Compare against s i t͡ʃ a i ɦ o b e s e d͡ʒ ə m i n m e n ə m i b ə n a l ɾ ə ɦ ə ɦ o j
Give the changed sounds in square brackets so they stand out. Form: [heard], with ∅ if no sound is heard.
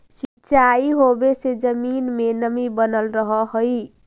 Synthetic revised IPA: s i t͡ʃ a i ɦ o b e s e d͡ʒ ə m i n m e n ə m i b ə n [ə] l ɾ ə ɦ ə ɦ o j